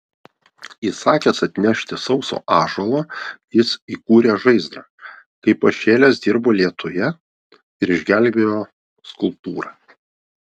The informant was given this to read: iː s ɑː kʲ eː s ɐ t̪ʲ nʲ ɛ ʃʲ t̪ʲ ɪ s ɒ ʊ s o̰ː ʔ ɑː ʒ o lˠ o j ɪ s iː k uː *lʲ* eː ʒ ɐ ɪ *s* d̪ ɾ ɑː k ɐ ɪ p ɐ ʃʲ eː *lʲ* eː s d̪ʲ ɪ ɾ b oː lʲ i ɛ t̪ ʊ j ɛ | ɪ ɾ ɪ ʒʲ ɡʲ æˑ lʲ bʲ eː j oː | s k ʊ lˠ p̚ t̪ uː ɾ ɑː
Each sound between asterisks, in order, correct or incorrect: incorrect, incorrect, correct

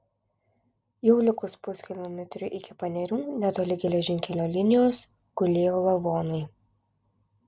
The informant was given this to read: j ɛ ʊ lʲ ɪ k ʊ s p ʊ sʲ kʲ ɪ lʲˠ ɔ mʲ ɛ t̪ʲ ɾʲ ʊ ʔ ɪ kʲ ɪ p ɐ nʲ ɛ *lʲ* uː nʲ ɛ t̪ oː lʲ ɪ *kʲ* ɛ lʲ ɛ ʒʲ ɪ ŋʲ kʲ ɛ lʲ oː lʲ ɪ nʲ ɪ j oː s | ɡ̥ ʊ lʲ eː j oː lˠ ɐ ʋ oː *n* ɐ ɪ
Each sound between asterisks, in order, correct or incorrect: incorrect, incorrect, correct

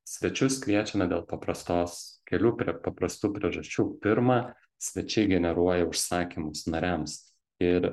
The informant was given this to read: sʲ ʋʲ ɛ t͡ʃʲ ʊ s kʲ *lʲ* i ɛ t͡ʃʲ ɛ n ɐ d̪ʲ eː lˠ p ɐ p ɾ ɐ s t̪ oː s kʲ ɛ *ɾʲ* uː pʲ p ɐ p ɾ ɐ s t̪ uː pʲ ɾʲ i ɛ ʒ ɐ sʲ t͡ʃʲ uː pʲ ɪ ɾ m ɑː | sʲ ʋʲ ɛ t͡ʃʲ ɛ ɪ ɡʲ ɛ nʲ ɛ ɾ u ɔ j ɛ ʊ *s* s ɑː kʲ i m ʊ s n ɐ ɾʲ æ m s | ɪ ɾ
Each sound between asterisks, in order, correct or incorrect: correct, incorrect, incorrect

